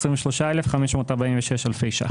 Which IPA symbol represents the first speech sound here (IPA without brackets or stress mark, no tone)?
s